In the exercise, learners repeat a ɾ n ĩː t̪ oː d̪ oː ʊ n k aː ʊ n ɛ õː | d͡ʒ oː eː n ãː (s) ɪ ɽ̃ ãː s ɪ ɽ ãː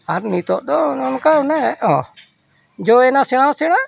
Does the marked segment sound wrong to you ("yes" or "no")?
no